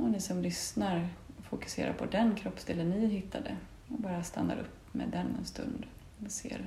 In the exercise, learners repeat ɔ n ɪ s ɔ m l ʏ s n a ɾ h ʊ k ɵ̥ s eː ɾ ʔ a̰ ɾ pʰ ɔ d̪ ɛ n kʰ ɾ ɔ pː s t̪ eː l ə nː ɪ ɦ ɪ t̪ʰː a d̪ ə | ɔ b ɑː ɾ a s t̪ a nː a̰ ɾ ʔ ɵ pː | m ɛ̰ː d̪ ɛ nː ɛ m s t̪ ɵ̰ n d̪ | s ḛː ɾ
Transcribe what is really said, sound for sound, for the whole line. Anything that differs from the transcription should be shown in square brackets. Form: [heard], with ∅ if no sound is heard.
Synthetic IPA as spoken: ɔ n ɪ s ɔ m l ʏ s n a ɾ [f] ʊ k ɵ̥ s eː ɾ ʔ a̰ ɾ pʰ ɔ d̪ ɛ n kʰ ɾ ɔ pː s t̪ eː l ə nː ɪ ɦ ɪ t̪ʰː a d̪ ə | ɔ b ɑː ɾ a s t̪ a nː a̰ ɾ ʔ ɵ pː | m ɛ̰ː d̪ ɛ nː ɛ [n] s t̪ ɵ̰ n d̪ | s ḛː ɾ